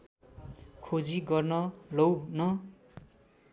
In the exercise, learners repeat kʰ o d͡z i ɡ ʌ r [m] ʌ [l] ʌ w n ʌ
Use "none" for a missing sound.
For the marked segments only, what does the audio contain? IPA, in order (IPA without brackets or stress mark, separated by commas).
n, l